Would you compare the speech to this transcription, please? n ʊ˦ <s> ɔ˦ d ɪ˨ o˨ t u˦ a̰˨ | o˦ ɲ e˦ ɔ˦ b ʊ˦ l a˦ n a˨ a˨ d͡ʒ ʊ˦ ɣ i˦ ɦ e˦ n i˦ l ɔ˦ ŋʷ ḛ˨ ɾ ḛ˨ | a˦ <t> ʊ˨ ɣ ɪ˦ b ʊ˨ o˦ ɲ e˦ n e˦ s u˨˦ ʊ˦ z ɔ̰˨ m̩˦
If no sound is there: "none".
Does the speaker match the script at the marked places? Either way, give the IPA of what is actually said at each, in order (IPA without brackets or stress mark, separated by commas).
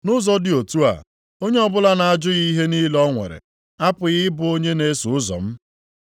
z, p